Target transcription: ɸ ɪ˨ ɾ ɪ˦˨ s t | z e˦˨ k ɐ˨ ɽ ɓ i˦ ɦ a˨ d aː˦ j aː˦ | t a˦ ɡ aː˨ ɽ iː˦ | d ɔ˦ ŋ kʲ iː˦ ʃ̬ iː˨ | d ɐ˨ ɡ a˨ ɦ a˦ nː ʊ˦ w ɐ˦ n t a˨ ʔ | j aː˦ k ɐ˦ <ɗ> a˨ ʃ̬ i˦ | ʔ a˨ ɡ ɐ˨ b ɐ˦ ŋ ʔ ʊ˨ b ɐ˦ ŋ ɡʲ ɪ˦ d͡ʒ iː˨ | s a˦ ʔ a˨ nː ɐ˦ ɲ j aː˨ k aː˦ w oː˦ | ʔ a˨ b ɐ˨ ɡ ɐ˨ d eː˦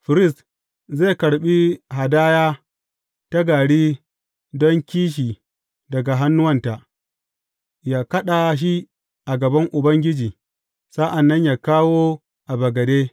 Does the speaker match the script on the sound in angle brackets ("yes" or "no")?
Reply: yes